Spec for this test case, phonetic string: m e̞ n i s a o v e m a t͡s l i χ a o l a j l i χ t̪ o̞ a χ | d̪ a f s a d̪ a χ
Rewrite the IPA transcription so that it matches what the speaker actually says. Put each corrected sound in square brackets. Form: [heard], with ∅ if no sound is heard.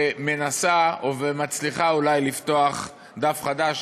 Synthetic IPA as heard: m e̞ n [a] s a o v e m a t͡s l i χ a [u] l a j l i [f] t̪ o̞ a χ | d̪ a f [χ] a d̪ a [ʃ]